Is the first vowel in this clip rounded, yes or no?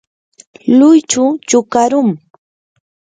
yes